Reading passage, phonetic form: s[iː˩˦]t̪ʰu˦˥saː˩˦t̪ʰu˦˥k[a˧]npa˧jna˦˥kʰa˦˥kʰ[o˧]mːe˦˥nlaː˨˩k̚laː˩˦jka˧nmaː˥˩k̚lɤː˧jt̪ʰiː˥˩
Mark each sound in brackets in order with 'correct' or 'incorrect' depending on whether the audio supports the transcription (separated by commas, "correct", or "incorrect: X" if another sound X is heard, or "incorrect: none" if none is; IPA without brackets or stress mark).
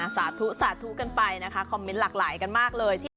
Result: incorrect: aː˩˦, correct, incorrect: ɔ˧